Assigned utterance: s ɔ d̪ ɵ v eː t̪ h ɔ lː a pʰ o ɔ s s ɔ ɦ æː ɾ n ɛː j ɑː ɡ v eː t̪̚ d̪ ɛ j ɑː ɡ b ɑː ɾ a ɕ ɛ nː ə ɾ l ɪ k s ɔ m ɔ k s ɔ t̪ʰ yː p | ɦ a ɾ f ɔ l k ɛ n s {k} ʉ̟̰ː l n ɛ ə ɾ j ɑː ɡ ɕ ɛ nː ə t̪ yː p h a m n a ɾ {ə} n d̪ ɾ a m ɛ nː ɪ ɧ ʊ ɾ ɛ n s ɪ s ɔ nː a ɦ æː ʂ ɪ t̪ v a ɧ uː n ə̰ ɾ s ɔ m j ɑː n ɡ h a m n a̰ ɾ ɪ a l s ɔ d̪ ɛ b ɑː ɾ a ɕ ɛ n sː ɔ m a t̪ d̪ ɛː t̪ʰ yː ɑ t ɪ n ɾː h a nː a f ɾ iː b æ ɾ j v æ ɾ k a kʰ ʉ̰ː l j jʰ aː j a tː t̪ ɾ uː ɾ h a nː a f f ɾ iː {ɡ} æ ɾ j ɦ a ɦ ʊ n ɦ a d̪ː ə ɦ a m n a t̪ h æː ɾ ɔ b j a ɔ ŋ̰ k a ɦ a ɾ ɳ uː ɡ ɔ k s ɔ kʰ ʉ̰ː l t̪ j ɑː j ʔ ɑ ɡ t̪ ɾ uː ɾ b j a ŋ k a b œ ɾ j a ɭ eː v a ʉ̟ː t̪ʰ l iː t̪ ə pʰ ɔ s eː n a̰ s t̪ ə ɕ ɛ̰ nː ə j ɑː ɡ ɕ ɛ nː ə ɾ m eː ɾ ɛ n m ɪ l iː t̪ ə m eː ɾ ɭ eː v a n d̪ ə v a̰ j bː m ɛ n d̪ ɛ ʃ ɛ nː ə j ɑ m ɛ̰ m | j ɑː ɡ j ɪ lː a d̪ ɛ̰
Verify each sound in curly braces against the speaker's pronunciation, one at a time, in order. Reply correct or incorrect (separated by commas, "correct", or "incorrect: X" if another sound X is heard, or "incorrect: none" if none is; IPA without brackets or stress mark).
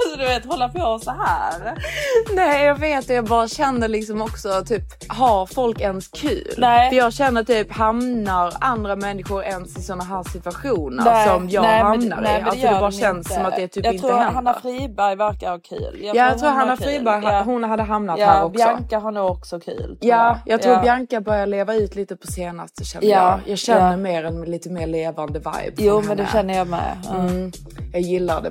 incorrect: kʰ, incorrect: a, incorrect: b